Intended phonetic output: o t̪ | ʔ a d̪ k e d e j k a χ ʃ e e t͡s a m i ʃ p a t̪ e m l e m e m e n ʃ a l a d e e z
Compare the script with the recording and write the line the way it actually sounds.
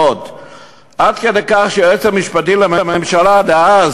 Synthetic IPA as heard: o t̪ | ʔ a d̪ k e d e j k a χ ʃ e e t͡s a m i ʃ p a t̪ i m l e m e m e m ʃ a l a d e a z